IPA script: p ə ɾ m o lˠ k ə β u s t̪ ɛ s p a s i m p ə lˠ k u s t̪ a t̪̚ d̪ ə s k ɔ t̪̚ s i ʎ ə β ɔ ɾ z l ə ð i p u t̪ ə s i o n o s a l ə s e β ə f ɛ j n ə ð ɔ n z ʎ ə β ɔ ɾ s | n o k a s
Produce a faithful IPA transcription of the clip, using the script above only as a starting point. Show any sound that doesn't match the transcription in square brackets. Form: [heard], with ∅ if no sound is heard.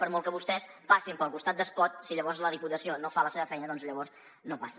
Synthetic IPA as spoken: p ə ɾ m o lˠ k ə β u s t̪ ɛ s p a s i m p ə lˠ k u s t̪ a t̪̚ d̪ ə s k ɔ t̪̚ s i ʎ ə β ɔ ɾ z l ə ð i p u t̪ ə s i o n o [f] a l ə s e β ə f ɛ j n ə ð ɔ n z ʎ ə β ɔ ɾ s | n o [p] a s